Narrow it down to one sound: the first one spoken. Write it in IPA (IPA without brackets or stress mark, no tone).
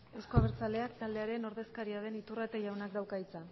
e̞